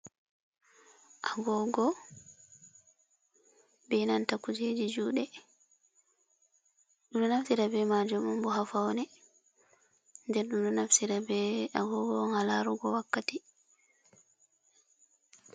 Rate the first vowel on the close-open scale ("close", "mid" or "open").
open